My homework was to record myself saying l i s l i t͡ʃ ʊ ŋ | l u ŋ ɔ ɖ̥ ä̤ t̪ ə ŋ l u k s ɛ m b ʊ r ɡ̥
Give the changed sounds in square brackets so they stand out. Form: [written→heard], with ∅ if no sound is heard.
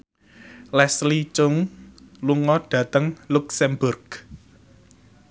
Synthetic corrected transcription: l [i→ɛ] s l i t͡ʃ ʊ ŋ | l u ŋ ɔ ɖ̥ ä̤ t̪ ə ŋ l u k s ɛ m b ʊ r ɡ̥